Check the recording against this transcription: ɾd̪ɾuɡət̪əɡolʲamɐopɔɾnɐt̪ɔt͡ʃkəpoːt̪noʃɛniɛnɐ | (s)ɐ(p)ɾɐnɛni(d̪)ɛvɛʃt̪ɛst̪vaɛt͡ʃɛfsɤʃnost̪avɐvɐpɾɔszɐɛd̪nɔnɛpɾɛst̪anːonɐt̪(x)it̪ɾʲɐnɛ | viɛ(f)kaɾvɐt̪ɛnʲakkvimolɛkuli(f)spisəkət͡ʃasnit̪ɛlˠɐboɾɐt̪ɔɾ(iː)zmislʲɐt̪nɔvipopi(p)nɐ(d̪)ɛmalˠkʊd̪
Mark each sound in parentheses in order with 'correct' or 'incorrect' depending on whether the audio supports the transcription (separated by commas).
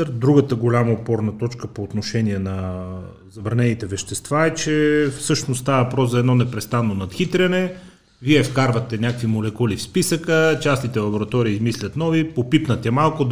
incorrect, incorrect, incorrect, correct, correct, correct, correct, correct, incorrect